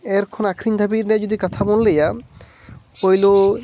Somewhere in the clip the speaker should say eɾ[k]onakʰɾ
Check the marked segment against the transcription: incorrect: kʰ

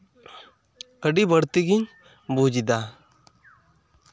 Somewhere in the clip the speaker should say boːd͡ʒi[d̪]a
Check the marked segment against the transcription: correct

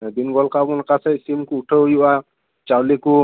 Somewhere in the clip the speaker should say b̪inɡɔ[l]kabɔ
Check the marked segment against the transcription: correct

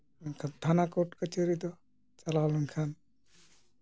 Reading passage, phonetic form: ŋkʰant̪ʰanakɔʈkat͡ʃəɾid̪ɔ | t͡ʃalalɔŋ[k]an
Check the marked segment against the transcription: incorrect: kʰ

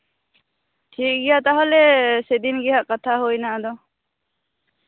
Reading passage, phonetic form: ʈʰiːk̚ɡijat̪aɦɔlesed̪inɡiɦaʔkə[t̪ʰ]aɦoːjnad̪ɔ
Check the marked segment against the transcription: correct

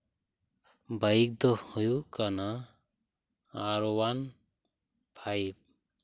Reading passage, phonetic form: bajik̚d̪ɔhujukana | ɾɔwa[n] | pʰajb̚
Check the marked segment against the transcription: correct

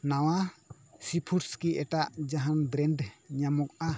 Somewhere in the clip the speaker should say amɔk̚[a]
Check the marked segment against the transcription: correct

